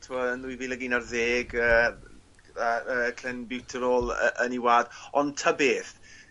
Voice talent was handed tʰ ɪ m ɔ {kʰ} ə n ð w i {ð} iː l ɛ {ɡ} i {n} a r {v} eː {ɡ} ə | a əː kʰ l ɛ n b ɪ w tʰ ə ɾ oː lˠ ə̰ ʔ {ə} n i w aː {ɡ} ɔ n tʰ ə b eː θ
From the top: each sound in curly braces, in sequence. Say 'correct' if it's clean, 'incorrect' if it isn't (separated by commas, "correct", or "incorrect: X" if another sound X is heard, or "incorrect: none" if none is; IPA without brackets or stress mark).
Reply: incorrect: none, incorrect: v, correct, correct, incorrect: ð, correct, correct, incorrect: d